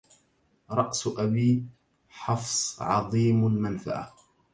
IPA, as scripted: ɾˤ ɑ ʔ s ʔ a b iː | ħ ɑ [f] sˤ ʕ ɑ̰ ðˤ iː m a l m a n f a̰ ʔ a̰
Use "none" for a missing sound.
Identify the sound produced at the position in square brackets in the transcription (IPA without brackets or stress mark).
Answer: f